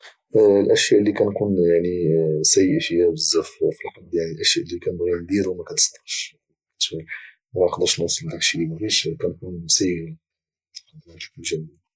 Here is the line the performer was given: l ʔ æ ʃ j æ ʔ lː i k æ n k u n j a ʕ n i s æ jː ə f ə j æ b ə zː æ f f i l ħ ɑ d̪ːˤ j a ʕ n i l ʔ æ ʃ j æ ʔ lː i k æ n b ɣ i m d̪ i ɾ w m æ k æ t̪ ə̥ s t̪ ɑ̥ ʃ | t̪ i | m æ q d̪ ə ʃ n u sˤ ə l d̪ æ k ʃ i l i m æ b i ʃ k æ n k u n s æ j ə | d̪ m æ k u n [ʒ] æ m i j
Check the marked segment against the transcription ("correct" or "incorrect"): correct